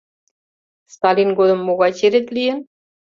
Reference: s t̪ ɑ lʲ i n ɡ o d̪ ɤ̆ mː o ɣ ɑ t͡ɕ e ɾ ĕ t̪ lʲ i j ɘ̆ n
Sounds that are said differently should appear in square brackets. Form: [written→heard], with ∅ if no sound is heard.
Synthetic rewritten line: s t̪ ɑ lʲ i n ɡ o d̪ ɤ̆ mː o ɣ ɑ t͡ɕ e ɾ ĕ t̪ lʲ i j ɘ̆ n